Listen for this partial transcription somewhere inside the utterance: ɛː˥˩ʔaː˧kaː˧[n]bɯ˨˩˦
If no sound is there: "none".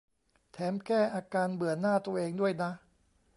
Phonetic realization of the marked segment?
n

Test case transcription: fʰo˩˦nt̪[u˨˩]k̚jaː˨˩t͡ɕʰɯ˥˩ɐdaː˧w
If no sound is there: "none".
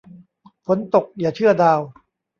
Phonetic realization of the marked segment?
o˨˩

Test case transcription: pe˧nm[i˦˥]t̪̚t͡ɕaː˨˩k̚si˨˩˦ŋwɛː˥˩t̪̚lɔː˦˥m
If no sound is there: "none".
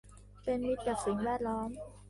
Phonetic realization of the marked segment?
i˦˥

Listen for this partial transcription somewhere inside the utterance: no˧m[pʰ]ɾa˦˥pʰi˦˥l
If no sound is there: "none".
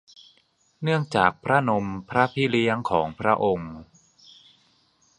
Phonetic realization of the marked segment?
pʰ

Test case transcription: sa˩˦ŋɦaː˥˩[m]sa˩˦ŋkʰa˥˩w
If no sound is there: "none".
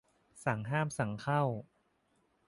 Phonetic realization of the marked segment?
m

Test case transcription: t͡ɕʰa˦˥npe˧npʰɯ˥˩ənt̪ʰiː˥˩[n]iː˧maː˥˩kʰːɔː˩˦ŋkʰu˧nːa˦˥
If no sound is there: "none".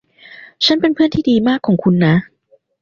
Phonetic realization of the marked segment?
d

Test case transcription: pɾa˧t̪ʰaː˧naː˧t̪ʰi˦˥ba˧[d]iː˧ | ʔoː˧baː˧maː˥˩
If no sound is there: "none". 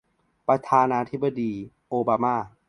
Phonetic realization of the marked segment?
d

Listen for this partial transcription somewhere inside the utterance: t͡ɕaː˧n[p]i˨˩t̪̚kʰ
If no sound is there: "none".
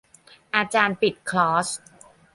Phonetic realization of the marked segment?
p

